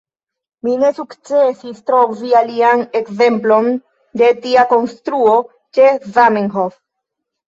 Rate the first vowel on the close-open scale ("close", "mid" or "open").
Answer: close